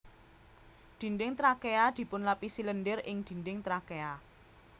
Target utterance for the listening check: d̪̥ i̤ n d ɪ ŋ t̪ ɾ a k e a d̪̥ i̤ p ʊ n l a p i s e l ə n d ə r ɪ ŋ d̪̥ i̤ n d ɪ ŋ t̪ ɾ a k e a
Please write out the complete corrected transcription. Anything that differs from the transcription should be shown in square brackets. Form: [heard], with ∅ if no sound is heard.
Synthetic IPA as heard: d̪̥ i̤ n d ɪ ŋ t̪ ɾ a k e a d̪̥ i̤ p ʊ n l a p i s [i] l ə n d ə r ɪ ŋ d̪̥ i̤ n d ɪ ŋ t̪ ɾ a k e a

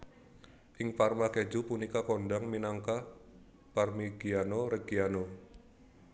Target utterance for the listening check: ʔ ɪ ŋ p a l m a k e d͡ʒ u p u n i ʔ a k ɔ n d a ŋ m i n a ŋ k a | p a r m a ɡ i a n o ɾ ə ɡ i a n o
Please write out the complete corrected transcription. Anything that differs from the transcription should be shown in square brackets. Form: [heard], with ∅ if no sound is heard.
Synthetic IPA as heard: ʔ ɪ ŋ p a [r] m a k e d͡ʒ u p u n i [k] a k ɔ n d a ŋ m i n a ŋ k a | p a r m [i] ɡ i a n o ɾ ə ɡ i a n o

